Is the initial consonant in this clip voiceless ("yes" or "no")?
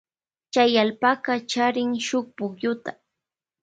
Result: yes